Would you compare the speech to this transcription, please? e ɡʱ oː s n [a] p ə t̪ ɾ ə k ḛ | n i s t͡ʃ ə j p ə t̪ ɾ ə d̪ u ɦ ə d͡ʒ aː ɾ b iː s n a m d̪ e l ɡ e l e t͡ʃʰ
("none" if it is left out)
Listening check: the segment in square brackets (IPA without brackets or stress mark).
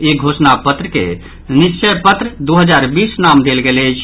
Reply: a